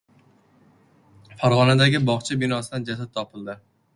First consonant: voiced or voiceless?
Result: voiceless